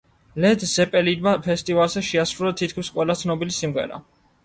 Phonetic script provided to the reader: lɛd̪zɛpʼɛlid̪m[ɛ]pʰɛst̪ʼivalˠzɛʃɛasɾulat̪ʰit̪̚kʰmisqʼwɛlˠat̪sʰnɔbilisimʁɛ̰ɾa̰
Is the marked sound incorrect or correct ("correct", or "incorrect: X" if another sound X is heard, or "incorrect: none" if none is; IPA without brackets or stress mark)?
incorrect: a